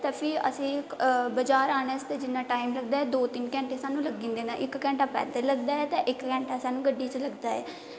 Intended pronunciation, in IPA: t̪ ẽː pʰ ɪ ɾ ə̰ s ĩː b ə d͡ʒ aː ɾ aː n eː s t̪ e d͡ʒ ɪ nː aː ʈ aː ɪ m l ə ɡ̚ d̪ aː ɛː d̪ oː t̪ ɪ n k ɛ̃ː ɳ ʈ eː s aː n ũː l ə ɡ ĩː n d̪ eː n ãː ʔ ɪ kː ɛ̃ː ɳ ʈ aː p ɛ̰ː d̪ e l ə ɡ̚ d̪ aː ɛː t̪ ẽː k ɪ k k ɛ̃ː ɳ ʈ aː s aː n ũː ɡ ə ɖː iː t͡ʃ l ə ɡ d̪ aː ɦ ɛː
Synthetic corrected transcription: t̪ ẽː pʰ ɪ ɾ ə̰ s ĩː b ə d͡ʒ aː ɾ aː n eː s t̪ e d͡ʒ ɪ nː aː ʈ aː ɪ m l ə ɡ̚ d̪ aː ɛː d̪ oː t̪ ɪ n k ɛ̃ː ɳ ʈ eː s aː n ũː l ə ɡ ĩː n d̪ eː n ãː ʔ ɪ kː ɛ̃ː ɳ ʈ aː p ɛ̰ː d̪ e l ə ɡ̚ d̪ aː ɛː t̪ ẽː ʔ ɪ k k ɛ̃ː ɳ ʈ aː s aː n ũː ɡ ə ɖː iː t͡ʃ l ə ɡ d̪ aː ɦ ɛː